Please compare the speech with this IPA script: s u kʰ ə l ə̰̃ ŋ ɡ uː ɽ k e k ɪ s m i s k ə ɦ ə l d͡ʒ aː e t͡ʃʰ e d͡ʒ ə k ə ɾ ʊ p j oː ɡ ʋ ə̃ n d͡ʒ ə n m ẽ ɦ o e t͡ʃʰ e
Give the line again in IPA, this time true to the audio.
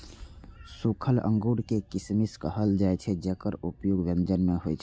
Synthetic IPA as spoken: s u kʰ ə l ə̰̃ ŋ ɡ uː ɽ k e k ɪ s m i s k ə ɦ ə l d͡ʒ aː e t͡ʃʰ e d͡ʒ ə k ə ɾ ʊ p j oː ɡ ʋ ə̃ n d͡ʒ ə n m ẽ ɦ o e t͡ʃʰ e